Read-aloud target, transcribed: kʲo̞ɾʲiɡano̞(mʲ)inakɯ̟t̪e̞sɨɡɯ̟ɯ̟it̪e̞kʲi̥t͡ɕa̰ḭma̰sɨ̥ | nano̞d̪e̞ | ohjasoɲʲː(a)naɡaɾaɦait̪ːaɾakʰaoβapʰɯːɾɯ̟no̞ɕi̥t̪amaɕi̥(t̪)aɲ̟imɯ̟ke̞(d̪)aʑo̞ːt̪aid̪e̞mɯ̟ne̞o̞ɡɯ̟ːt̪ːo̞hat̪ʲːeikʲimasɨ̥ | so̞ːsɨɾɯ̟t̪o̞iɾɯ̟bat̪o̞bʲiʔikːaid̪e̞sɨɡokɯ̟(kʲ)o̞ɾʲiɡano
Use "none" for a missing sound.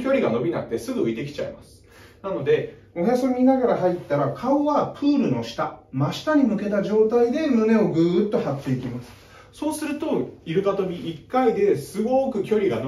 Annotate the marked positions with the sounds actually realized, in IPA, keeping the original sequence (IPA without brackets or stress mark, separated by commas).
bʲ, i, t̪, t̪, kʲ